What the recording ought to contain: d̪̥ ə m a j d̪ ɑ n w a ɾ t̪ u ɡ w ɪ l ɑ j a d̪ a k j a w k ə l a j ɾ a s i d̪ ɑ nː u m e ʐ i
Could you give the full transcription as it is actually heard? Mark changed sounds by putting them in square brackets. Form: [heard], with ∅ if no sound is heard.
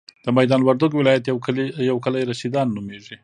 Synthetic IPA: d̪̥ ə m a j d̪ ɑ n w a ɾ [d̪] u ɡ w ɪ l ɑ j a [t̪] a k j a w k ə l a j ɾ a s i d̪ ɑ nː u m e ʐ i